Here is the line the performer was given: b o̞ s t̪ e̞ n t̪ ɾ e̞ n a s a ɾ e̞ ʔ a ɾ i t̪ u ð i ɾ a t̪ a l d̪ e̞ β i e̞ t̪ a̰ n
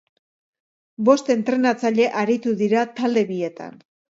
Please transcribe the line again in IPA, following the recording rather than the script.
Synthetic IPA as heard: b o̞ s t̪ e̞ n t̪ ɾ e̞ n a t͡s a ʎ e̞ ʔ a ɾ i t̪ u ð i ɾ a t̪ a l d̪ e̞ β i e̞ t̪ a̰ n